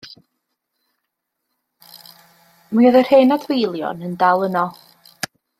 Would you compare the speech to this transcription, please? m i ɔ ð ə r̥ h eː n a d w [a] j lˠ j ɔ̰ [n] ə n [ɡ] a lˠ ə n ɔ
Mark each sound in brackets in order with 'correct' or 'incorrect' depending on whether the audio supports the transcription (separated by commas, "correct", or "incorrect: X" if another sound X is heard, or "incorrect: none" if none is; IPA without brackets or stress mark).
incorrect: e, correct, incorrect: d